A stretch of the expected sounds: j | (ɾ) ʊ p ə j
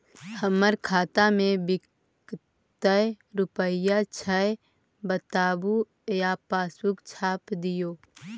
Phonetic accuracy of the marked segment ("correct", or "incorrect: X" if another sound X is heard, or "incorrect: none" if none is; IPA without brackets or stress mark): correct